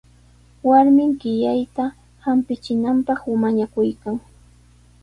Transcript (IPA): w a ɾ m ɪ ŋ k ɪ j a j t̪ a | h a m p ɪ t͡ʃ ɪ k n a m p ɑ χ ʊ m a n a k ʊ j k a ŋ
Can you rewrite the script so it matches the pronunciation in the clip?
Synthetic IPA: w a ɾ m ɪ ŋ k ɪ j a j t̪ a | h a m p ɪ t͡ʃ ɪ n a m p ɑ χ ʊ m a ɲ a k ʊ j k a ŋ